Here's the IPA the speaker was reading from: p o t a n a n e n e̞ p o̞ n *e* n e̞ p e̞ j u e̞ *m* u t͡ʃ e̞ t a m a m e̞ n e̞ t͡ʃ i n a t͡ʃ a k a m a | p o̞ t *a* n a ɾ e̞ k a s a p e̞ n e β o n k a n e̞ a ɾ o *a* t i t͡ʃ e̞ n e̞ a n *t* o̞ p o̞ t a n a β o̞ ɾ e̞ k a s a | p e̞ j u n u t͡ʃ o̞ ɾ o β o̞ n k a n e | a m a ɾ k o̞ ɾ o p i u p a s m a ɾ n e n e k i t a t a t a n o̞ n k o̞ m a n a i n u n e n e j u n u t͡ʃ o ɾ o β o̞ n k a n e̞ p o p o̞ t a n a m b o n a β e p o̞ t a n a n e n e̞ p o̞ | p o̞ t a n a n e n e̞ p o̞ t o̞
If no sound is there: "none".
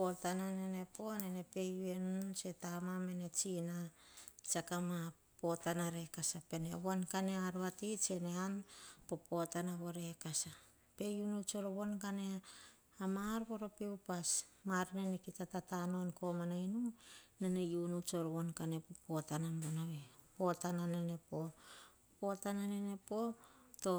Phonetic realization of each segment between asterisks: e, n, a, a, p

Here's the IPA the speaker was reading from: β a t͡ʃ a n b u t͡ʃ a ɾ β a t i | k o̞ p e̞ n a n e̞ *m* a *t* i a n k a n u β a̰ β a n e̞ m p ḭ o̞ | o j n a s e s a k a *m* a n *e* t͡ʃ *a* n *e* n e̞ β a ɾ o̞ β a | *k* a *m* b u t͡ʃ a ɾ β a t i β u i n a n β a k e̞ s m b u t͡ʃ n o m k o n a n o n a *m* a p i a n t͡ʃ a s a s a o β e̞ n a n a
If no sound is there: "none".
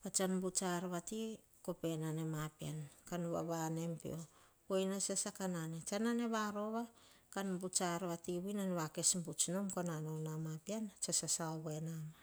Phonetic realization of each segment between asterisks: m, p, n, e, a, a, k, n, m

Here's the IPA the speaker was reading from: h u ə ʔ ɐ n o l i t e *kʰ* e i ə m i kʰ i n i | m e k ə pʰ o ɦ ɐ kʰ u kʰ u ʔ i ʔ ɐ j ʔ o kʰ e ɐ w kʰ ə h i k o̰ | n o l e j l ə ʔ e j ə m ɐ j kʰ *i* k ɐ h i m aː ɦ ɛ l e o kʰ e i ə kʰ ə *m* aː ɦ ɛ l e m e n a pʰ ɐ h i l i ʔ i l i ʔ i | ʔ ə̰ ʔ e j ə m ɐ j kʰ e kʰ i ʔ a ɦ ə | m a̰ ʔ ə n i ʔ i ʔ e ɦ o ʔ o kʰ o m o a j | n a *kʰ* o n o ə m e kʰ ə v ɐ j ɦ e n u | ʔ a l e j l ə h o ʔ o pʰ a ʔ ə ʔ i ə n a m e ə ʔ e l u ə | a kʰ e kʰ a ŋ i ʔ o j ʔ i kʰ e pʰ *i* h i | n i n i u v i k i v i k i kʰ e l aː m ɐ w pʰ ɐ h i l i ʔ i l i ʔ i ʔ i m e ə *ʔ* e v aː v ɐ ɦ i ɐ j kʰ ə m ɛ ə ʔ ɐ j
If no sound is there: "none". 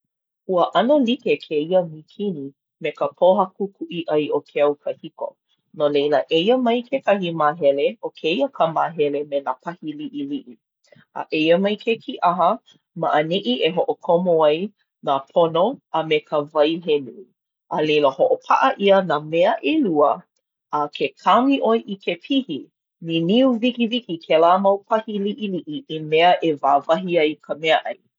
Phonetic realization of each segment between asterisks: kʰ, e, m, pʰ, i, ʔ

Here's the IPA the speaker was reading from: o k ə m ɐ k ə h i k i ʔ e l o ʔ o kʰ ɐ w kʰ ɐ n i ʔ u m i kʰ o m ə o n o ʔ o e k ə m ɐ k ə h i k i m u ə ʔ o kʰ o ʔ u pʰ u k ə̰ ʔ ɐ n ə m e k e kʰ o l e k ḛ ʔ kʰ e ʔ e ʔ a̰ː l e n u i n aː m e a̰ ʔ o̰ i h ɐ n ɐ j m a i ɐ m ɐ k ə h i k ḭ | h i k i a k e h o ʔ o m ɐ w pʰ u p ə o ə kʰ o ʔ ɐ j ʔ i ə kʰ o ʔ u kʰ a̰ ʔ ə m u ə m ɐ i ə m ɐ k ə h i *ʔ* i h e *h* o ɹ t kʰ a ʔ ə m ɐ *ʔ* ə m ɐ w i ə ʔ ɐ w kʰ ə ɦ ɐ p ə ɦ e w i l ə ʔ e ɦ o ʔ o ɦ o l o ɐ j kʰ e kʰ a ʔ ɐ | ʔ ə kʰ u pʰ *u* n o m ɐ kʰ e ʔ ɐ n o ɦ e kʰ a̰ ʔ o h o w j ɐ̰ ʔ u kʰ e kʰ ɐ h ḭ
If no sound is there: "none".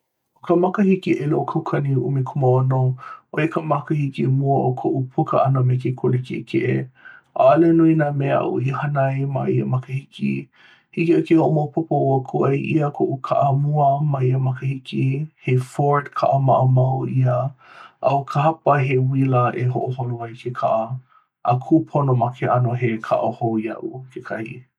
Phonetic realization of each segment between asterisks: k, f, ʔ, o

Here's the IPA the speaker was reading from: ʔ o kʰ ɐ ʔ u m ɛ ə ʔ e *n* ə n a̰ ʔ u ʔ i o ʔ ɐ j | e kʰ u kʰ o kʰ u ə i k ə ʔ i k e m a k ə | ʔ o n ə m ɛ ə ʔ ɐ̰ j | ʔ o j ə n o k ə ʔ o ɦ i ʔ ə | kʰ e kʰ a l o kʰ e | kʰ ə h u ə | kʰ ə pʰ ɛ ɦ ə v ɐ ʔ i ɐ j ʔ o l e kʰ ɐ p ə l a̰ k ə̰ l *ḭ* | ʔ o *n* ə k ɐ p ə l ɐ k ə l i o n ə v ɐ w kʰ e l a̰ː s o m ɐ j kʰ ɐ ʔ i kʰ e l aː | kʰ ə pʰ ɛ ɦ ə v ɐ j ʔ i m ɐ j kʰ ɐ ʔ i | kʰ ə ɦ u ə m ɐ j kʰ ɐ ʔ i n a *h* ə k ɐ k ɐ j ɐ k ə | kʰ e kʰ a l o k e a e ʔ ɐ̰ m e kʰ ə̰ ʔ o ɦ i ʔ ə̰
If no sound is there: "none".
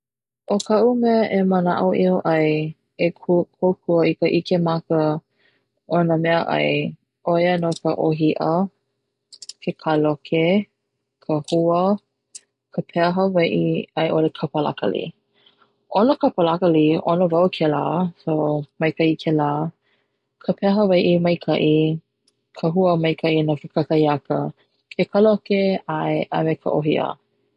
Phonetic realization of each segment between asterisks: m, ḭ, n, f

